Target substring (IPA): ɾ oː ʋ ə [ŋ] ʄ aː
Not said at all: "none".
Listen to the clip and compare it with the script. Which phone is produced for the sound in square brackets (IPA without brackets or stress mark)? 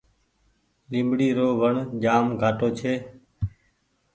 ɳ